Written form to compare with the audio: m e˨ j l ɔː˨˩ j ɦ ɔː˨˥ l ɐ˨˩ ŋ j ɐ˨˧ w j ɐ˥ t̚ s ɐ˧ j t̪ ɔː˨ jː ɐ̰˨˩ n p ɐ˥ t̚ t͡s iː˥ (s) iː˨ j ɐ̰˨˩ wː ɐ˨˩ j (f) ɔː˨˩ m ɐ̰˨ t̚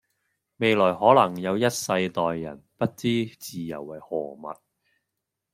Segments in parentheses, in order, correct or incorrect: incorrect: t͡s, incorrect: h

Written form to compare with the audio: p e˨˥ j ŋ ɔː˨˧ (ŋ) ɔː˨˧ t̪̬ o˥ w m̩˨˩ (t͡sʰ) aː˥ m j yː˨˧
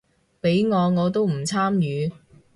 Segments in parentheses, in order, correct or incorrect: correct, correct

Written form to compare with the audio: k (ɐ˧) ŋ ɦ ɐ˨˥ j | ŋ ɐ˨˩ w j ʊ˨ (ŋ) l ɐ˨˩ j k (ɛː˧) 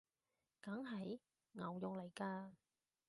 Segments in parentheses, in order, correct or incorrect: incorrect: ɐ˨˥, correct, incorrect: aː˧

